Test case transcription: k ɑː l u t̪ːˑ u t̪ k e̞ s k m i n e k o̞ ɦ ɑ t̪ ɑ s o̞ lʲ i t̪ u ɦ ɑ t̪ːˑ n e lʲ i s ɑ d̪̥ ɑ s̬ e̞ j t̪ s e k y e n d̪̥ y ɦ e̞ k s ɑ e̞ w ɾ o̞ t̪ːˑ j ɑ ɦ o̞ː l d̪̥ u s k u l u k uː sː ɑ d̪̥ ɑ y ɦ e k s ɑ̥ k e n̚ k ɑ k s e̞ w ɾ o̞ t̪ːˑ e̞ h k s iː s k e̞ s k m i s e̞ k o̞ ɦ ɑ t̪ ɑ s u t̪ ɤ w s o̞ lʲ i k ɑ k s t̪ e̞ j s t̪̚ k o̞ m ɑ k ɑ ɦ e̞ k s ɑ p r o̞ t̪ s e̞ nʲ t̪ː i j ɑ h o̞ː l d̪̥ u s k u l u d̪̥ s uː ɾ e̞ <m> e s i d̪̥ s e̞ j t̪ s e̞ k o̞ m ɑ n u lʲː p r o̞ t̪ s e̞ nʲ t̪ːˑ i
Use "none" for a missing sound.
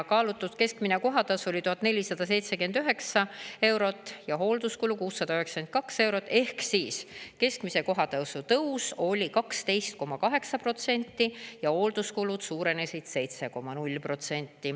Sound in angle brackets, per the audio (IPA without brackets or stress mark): n